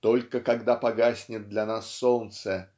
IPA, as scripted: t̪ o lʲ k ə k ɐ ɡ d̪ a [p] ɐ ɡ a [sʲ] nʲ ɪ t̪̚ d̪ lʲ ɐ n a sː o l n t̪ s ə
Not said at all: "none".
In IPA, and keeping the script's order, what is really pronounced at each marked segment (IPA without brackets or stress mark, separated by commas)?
p, sʲ